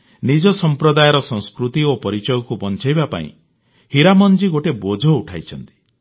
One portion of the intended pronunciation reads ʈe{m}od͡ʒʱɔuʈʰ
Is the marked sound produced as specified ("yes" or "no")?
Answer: no